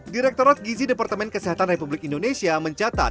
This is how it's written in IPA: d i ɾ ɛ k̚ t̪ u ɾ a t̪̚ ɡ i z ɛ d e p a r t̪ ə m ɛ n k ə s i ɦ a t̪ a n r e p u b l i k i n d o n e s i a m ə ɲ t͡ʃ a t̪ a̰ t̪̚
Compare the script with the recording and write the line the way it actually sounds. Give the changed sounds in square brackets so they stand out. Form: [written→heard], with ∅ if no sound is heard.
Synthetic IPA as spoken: d i ɾ ɛ k̚ t̪ [u→o] ɾ a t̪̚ ɡ i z [ɛ→i] d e p a r t̪ ə m ɛ n k ə s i ɦ a t̪ a n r e p u b l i k i n d o n e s i a m ə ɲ t͡ʃ a t̪ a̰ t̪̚